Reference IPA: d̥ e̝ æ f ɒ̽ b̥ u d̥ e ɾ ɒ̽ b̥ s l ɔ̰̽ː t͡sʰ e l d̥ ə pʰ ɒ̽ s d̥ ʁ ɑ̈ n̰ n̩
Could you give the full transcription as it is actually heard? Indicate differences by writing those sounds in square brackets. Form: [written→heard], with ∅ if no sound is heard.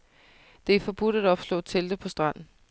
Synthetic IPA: d̥ e̝ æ f ɒ̽ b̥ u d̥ [e→æ] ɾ ɒ̽ b̥ s l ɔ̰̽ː t͡sʰ e l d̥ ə pʰ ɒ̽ s d̥ ʁ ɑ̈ n̰ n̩